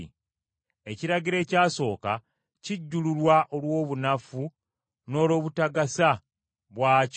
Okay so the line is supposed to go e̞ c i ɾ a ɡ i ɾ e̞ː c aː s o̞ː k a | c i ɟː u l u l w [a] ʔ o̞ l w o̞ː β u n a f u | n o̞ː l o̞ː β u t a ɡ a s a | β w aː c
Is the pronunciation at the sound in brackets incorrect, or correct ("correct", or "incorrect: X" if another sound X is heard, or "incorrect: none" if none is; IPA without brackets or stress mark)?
correct